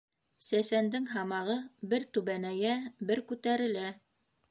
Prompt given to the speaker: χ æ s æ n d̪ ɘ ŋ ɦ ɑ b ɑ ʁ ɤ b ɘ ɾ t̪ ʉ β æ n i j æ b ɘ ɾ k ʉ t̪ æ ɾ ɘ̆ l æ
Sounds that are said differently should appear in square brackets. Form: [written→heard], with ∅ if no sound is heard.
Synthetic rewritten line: [χ→s] æ s æ n d̪ ɘ ŋ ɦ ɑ [b→m] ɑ ʁ ɤ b ɘ ɾ t̪ ʉ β æ n [i→æ] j æ b ɘ ɾ k ʉ t̪ æ ɾ ɘ̆ l æ